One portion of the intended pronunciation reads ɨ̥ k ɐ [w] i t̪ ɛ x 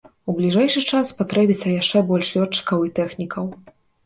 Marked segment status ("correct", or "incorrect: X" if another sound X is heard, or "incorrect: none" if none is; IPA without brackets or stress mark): correct